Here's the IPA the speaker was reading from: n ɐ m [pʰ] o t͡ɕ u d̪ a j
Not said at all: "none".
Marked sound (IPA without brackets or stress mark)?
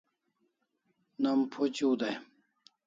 pʰ